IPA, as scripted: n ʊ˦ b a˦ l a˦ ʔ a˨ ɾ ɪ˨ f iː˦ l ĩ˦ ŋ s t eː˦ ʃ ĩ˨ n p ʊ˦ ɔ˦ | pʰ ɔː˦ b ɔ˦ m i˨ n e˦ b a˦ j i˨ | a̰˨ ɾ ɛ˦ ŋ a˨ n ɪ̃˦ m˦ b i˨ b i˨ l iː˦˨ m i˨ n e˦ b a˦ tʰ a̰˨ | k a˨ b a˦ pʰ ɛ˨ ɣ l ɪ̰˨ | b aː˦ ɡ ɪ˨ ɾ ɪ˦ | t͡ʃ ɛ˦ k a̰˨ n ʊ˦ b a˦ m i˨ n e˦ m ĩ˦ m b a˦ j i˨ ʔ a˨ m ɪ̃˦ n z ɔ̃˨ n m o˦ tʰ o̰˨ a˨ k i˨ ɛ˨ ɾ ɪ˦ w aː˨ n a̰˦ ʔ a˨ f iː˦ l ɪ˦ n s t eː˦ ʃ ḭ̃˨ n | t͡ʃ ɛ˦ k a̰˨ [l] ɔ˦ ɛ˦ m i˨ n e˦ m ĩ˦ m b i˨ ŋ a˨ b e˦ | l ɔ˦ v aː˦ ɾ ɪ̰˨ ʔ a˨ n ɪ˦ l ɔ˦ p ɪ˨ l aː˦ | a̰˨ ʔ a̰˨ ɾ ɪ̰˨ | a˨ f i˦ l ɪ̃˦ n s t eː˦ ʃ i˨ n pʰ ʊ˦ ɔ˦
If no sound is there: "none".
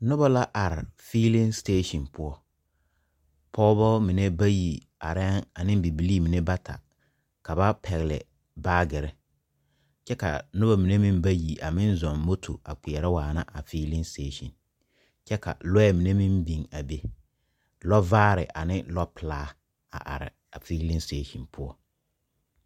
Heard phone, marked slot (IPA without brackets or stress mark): l